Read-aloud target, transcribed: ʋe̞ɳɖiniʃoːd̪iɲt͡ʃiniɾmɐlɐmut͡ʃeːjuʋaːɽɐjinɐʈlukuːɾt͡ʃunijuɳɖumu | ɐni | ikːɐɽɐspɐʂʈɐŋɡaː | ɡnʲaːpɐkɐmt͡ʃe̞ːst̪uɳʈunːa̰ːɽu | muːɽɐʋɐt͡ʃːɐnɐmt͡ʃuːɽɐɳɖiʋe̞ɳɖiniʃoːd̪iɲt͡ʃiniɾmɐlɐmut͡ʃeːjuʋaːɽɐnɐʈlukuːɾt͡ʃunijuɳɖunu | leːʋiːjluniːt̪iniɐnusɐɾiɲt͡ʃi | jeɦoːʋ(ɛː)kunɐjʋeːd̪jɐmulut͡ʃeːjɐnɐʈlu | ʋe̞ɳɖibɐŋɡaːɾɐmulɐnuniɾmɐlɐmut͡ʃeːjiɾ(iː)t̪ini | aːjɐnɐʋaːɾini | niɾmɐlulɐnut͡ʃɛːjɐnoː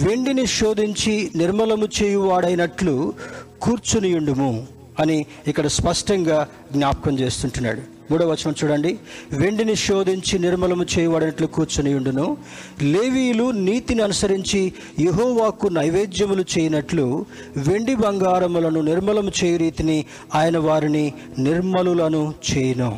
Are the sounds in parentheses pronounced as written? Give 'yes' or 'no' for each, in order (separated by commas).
no, yes